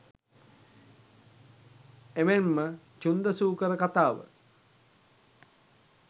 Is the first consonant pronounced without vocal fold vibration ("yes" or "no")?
no